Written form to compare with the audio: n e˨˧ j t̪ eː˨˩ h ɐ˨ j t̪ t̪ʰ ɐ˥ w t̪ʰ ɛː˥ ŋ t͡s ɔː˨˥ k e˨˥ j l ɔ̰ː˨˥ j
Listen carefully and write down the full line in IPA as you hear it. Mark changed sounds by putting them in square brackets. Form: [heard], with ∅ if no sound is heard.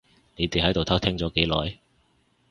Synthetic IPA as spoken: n e˨˧ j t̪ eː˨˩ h [ɐ˨˥] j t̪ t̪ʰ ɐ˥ w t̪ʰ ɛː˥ ŋ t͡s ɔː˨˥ k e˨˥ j l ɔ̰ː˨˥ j